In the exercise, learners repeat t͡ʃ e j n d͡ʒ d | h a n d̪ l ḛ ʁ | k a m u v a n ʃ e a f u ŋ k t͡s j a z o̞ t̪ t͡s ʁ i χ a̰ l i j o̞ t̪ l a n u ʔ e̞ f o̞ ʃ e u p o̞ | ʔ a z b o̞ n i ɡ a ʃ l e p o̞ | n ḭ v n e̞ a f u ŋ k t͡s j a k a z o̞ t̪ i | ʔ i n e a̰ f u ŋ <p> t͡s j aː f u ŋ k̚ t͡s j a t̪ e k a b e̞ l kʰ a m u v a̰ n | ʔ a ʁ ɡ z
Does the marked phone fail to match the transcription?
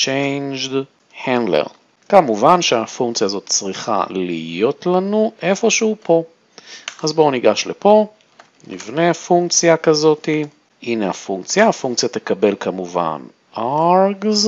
yes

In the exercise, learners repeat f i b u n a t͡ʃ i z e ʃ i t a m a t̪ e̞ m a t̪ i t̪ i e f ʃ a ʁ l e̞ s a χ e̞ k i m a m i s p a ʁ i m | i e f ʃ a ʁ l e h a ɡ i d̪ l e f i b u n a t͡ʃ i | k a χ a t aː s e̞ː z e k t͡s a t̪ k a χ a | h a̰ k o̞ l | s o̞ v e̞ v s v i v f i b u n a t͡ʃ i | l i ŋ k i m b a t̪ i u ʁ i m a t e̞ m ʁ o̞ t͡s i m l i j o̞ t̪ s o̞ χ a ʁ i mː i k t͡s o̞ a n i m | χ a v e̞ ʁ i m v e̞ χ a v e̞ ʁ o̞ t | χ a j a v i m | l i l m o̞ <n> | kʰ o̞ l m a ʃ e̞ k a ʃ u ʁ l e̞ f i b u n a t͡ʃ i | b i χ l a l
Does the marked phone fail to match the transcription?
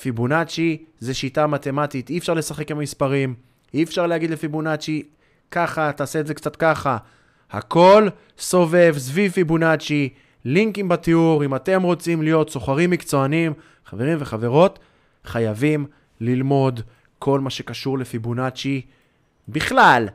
yes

